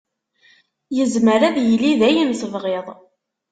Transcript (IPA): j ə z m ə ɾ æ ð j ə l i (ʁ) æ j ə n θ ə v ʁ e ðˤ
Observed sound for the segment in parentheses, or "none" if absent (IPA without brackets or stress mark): ð